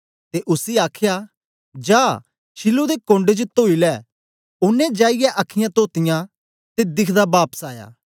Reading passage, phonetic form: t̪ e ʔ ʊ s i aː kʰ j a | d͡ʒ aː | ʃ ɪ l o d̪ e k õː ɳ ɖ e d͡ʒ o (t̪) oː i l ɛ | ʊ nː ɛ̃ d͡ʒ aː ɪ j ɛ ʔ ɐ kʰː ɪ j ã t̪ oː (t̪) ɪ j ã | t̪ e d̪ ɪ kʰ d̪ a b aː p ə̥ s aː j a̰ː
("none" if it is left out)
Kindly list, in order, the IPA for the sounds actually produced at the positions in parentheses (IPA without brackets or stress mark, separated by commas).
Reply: t̪, t̪